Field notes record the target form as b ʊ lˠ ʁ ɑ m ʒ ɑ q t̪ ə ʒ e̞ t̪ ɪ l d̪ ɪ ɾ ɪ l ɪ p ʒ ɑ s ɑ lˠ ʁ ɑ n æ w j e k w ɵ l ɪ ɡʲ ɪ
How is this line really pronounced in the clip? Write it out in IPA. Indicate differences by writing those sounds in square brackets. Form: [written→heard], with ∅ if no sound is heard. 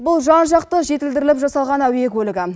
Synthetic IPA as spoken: b ʊ lˠ [ʁ→ʒ] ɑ [m→n] ʒ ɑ q t̪ ə ʒ e̞ t̪ ɪ l d̪ ɪ ɾ ɪ l ɪ p ʒ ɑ s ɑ lˠ ʁ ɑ n æ w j e k w ɵ l ɪ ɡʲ ɪ